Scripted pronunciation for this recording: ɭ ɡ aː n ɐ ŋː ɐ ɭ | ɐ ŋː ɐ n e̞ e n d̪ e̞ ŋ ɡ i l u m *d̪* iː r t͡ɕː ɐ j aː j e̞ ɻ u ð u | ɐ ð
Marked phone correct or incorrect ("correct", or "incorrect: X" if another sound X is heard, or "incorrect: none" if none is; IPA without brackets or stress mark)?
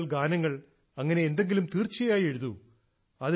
incorrect: t̪